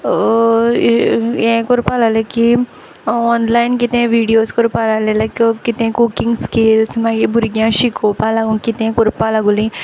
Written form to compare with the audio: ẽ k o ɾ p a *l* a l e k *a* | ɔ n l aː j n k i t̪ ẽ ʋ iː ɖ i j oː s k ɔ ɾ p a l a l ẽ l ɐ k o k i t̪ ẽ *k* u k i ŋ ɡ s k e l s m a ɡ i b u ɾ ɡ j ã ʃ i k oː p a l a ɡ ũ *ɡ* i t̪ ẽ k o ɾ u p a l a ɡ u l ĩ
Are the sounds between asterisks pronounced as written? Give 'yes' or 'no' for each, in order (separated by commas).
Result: yes, no, yes, no